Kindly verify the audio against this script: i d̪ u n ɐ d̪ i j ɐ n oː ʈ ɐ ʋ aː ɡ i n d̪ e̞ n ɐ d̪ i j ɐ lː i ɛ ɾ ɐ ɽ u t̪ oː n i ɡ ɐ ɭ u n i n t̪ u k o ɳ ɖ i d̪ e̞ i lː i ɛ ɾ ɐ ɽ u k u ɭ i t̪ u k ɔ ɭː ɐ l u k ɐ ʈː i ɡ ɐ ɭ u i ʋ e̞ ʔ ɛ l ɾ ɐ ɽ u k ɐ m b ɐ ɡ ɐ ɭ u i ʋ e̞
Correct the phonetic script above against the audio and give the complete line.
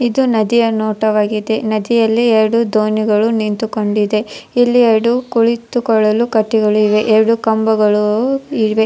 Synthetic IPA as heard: i d̪ u n ɐ d̪ i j ɐ n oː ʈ ɐ ʋ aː ɡ i d̪ e̞ n ɐ d̪ i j ɐ lː i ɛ ɾ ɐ ɽ u d̪ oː n i ɡ ɐ ɭ u n i n t̪ u k o ɳ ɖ i d̪ e̞ i lː i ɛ ɾ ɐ ɽ u k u ɭ i t̪ u k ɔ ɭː ɐ l u k ɐ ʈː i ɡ ɐ ɭ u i ʋ e̞ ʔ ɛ ɾ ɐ ɽ u k ɐ m b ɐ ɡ ɐ ɭ u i ʋ e̞